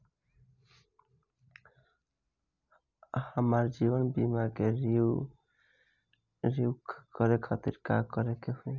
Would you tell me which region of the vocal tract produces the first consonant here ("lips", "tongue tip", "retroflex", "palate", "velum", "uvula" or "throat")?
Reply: lips